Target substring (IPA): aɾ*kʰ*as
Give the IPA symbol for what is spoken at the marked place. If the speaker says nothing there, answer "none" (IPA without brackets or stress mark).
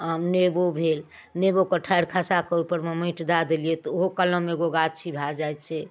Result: kʰ